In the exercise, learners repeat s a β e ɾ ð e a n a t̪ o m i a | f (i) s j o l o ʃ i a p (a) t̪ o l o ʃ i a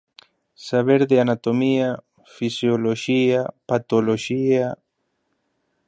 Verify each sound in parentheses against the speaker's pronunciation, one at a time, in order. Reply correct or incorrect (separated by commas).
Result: correct, correct